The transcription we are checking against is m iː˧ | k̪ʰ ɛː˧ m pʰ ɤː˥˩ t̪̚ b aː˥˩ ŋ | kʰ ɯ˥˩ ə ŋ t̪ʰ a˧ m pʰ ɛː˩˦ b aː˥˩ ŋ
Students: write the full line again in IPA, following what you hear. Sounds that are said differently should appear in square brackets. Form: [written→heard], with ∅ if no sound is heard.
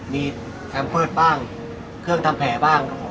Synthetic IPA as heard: m iː˧ | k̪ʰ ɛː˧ m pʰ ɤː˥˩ t̪̚ b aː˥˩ ŋ | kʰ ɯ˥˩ ə ŋ t̪ʰ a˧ m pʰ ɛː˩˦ b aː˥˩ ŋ